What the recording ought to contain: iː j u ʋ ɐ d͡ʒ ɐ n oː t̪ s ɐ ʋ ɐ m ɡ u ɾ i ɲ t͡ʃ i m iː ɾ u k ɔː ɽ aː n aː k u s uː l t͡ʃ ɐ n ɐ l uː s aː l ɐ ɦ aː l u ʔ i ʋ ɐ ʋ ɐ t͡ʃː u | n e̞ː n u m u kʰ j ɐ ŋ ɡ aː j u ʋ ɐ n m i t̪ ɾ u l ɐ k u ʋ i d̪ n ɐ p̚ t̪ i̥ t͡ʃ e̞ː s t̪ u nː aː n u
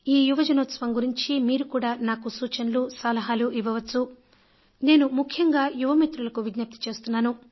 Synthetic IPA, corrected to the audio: iː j u ʋ ɐ d͡ʒ ɐ n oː t̪ s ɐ ʋ ɐ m ɡ u ɾ i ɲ t͡ʃ i m iː ɾ u k uː ɽ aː n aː k u s uː t͡ʃ ɐ n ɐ l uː s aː l ɐ ɦ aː l u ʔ i ʋ ɐ ʋ ɐ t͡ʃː u | n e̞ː n u m u kʰ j ɐ ŋ ɡ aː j u ʋ ɐ m i t̪ ɾ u l ɐ k u ʋ i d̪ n ɐ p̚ t̪ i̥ t͡ʃ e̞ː s t̪ u nː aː n u